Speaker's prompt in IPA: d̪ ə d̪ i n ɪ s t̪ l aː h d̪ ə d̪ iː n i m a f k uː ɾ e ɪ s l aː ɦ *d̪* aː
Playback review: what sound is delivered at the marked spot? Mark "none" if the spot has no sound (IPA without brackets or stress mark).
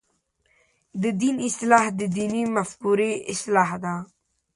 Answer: d̪